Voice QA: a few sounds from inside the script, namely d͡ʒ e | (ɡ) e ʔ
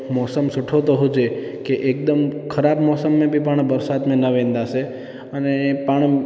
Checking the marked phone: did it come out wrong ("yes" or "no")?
yes